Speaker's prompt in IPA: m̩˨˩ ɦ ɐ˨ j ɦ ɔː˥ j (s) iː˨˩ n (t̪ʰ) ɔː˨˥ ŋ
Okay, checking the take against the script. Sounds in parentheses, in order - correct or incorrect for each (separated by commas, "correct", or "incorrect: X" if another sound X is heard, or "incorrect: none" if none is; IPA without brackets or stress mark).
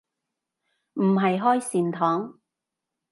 correct, correct